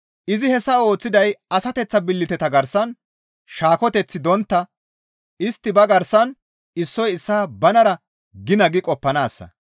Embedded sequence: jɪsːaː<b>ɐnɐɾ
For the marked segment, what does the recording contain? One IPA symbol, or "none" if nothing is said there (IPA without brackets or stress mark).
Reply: b